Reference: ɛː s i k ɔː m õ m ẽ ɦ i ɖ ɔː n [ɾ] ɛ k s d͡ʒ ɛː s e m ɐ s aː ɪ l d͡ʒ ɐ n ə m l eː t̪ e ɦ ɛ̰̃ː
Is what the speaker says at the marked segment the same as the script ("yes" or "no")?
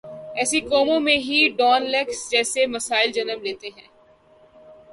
no